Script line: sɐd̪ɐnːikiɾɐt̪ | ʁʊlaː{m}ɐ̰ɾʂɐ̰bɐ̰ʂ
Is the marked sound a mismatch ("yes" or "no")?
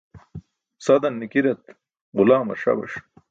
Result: no